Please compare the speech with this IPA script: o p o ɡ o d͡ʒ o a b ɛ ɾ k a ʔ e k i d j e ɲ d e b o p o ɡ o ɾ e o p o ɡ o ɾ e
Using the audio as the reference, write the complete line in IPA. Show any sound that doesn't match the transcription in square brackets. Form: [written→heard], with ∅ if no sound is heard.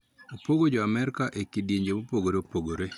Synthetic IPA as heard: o p o ɡ o d͡ʒ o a [b→m] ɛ ɾ k a ʔ e k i d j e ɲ [d→d͡ʒ] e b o p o ɡ o ɾ e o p o ɡ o ɾ e